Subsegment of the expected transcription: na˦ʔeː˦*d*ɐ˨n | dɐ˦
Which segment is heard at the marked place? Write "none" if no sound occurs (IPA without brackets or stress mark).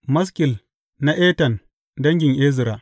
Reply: t